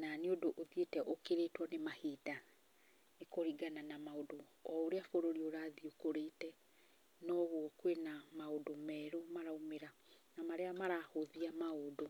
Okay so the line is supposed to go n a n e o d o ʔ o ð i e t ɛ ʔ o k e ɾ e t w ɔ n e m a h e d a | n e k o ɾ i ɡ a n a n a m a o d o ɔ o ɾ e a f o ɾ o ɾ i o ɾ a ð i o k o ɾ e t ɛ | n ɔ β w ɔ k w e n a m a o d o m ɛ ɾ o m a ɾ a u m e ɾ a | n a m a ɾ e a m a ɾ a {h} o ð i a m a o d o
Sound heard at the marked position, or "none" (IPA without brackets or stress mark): h